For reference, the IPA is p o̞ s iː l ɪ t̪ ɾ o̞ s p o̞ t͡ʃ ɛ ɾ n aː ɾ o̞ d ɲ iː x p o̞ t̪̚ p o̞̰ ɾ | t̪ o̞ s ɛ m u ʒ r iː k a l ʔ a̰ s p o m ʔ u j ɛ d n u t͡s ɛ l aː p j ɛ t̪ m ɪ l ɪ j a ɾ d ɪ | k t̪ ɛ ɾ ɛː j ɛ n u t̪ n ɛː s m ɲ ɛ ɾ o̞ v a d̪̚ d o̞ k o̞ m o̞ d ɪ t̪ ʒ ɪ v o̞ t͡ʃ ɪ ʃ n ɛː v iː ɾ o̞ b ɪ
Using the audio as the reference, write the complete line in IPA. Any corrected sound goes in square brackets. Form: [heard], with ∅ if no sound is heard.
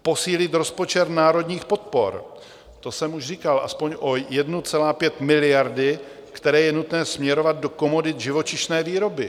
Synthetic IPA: p o̞ s iː l ɪ t̪ ɾ o̞ s p o̞ t͡ʃ ɛ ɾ n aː ɾ o̞ d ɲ iː x p o̞ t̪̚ p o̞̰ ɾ | t̪ o̞ s ɛ m u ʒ r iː k a l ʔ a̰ s p o [ɲ] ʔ [o] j ɛ d n u t͡s ɛ l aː p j ɛ t̪ m ɪ l ɪ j a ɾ d ɪ | k t̪ ɛ ɾ ɛː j ɛ n u t̪ n ɛː s m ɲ ɛ ɾ o̞ v a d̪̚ d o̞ k o̞ m o̞ d ɪ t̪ ʒ ɪ v o̞ t͡ʃ ɪ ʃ n ɛː v iː ɾ o̞ b ɪ